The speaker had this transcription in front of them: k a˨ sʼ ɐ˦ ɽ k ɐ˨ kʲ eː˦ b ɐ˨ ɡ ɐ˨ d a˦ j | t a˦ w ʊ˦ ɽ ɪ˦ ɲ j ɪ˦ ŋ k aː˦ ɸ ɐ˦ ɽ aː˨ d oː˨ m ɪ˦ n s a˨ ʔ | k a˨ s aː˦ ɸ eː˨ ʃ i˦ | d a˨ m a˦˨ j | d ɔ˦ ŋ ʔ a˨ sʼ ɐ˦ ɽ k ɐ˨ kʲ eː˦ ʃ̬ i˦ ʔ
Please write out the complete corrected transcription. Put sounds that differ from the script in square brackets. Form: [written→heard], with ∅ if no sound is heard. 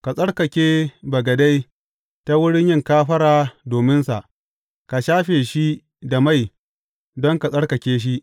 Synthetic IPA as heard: k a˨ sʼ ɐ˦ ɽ k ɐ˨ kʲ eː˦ b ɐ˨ ɡ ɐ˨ d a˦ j | t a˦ w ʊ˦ ɽ ɪ˦ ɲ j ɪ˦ ŋ k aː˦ ɸ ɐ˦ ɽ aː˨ d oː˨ m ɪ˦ n s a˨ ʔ | k a˨ [s→ʃ] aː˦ ɸ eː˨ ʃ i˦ | d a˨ m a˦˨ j | d ɔ˦ ŋ [ʔ→k] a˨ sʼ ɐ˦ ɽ k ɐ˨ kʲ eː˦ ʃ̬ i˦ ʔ